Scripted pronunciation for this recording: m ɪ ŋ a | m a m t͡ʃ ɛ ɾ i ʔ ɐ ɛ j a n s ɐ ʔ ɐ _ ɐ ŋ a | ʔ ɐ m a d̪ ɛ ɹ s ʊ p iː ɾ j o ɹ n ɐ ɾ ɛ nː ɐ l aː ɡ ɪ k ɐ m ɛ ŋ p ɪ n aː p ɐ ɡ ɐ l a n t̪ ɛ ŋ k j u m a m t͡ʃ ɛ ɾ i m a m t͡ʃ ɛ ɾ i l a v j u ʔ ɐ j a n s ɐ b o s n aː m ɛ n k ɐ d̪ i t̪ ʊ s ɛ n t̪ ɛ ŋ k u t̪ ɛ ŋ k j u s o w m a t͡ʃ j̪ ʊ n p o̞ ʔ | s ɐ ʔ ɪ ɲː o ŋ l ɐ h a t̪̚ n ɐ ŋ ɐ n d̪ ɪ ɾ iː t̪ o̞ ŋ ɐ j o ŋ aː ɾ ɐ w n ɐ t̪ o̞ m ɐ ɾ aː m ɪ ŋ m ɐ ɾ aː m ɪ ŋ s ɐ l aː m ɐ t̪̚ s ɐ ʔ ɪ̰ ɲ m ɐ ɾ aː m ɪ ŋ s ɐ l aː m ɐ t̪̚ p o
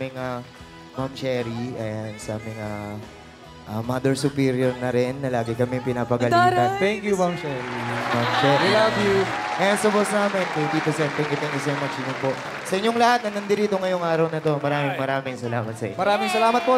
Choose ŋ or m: m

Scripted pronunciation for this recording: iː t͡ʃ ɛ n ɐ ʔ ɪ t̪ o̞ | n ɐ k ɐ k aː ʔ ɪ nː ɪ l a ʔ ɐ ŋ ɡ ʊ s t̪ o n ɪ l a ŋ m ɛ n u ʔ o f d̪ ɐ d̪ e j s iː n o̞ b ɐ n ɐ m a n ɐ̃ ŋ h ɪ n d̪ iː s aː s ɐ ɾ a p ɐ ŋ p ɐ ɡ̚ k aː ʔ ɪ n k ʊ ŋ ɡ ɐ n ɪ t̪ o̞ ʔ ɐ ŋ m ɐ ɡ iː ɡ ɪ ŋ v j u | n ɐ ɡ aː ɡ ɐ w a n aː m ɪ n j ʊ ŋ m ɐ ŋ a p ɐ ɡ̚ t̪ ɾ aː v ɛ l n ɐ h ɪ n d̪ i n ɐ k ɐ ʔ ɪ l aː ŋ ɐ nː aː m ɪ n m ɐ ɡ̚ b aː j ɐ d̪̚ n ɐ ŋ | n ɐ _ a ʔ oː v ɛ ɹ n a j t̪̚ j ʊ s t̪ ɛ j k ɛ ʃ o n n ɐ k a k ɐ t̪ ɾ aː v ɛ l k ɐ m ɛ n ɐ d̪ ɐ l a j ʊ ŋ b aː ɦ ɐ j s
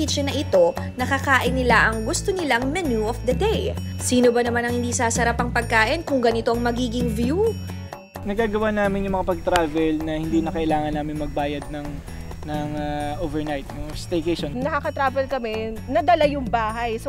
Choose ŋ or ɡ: ŋ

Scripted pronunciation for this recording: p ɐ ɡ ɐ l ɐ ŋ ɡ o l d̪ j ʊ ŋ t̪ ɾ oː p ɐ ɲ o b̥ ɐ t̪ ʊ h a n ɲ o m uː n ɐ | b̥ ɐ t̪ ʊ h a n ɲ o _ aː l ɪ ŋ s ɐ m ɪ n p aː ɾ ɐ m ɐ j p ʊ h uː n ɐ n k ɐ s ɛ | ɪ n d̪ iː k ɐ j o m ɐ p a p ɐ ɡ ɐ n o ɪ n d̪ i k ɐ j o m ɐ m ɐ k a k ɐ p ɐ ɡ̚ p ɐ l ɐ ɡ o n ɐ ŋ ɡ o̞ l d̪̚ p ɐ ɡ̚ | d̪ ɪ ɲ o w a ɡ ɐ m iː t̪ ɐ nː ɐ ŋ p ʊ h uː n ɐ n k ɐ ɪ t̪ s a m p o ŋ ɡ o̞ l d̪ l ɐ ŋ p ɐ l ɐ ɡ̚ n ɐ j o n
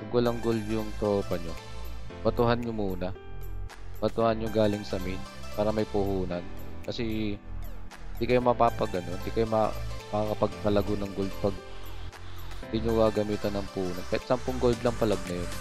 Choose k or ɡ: ɡ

